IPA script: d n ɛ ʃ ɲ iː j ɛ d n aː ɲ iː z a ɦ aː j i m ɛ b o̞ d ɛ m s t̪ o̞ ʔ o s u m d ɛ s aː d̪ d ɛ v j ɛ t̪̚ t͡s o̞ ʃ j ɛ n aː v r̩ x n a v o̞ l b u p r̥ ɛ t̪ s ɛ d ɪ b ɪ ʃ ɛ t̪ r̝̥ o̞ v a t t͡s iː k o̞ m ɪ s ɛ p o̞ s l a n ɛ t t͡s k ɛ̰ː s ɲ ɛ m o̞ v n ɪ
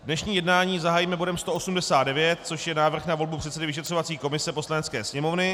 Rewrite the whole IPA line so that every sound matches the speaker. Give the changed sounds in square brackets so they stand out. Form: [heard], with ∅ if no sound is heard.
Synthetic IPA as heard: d n ɛ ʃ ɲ iː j ɛ d n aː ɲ iː z a ɦ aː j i m ɛ b o̞ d ɛ m s t̪ o̞ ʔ o s u m d ɛ s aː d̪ d ɛ v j ɛ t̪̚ t͡s o̞ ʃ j ɛ n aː v r̩ x n a v o̞ l b u p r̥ ɛ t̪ s ɛ d ɪ [v] ɪ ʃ ɛ t̪ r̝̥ o̞ v a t t͡s iː k o̞ m ɪ s ɛ p o̞ s l a n ɛ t t͡s k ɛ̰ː s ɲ ɛ m o̞ v n ɪ